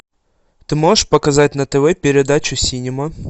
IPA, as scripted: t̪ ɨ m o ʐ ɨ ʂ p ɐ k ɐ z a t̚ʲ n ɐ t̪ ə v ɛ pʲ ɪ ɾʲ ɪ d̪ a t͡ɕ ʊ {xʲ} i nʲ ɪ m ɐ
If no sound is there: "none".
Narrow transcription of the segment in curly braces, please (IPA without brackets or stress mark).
sʲ